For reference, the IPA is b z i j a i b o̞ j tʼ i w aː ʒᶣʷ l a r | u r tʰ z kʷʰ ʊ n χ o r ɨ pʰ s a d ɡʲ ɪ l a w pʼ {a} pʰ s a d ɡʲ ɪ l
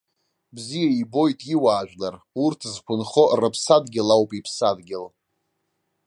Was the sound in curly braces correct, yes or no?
no